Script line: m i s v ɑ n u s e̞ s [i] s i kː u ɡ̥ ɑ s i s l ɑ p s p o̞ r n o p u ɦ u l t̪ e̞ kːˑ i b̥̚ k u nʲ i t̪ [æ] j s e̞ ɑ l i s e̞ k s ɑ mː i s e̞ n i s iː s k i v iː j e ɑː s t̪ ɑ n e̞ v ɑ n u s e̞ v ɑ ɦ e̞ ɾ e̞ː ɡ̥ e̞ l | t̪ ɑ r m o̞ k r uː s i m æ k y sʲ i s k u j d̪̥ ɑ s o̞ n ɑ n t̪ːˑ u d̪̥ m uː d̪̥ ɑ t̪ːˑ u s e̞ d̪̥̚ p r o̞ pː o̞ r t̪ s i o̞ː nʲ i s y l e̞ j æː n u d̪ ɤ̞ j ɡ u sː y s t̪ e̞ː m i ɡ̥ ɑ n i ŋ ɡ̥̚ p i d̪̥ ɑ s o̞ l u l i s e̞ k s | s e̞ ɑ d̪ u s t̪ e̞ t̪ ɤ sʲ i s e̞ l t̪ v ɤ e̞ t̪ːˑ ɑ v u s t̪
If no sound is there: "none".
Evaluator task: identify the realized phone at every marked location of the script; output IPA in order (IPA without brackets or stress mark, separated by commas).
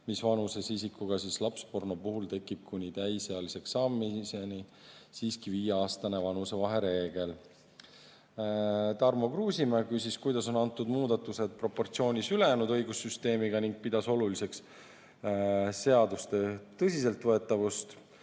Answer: i, æ